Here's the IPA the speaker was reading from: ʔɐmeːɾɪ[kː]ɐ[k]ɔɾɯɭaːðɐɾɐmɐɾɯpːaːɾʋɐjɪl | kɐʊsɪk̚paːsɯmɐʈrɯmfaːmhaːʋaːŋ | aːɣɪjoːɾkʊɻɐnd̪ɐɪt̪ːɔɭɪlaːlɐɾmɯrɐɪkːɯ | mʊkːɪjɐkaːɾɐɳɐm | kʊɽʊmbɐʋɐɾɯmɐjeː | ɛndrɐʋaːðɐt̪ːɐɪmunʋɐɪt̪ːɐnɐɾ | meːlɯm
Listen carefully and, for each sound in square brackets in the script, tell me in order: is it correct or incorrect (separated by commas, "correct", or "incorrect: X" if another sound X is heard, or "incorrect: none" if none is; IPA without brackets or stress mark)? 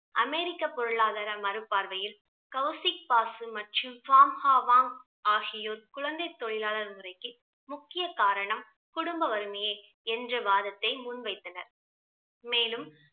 correct, incorrect: p